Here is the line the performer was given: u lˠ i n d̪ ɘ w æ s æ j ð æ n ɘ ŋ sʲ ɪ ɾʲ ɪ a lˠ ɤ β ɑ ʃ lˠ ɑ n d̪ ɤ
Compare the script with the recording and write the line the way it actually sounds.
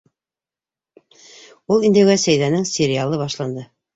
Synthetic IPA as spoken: u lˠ i n d̪ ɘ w æ s æ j ð æ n ɘ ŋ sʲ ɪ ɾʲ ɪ a lˠ ɤ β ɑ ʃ lˠ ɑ n d̪ ɤ